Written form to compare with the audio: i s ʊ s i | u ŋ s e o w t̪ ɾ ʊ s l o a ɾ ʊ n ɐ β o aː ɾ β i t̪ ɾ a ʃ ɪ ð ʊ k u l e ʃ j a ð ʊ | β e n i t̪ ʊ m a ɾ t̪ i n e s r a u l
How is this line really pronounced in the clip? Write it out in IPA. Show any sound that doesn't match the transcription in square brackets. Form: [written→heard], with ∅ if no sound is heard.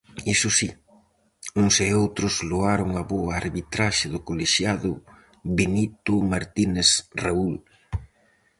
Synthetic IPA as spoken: i s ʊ s i | u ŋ s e o w t̪ ɾ ʊ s l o a ɾ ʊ [n→ŋ] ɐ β o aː ɾ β i t̪ ɾ a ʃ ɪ ð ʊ k [u→o] l e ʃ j a ð ʊ | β e n i t̪ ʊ m a ɾ t̪ i n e s r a u l